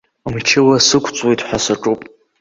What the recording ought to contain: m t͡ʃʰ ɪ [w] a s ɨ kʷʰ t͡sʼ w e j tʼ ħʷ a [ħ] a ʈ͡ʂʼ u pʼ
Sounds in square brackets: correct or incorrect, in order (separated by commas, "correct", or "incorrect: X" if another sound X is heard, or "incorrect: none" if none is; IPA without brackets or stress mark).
correct, incorrect: s